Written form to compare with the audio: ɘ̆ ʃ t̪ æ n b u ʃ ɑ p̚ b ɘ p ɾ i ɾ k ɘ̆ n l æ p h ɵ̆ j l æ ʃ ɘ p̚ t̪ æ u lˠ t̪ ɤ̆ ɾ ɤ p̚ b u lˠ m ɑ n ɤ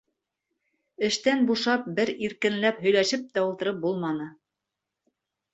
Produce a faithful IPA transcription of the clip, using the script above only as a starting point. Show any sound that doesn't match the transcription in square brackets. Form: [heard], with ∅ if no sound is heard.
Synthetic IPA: ɘ̆ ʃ t̪ æ n b u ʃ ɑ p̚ b ɘ [∅] ɾ i ɾ k ɘ̆ n l æ p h ɵ̆ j l æ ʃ ɘ p̚ t̪ æ u lˠ t̪ ɤ̆ ɾ ɤ p̚ b u lˠ m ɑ n ɤ